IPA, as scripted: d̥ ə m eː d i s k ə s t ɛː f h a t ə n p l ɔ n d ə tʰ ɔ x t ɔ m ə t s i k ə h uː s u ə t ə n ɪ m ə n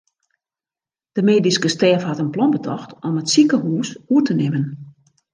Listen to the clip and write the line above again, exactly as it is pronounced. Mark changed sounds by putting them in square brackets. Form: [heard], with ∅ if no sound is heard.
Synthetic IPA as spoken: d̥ ə m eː d i s k ə s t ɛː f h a t ə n p l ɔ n [b] ə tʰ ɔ x t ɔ m ə t s i k ə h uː s u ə t ə n ɪ m ə n